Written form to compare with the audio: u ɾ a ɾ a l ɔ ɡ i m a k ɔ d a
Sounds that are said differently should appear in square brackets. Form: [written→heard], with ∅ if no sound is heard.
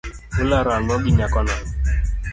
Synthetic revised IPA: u [ɾ→l] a ɾ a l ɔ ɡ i [m→ɲ] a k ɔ [d→n] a